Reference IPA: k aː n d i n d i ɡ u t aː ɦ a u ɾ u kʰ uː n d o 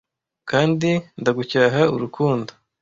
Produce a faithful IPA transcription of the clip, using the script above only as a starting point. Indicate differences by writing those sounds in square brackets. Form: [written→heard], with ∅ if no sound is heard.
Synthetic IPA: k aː n d i n d [i→a] ɡ u [t→c] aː ɦ a u ɾ u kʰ uː n d o